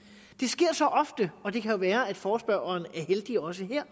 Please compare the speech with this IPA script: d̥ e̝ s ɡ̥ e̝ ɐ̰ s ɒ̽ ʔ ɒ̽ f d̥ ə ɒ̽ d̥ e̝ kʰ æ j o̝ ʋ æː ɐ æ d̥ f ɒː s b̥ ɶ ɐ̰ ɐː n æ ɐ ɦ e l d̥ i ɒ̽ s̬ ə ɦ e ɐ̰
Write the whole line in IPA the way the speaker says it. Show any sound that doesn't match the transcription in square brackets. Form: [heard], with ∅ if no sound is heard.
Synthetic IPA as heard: d̥ e̝ s ɡ̥ e̝ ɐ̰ s ɒ̽ ʔ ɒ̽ f d̥ ə ɒ̽ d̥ e̝ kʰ æ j o̝ ʋ æː ɐ æ d̥ f ɒː s b̥ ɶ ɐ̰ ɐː n æ ɐ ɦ e l d̥ i ɒ̽ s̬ ə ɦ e ɐ̰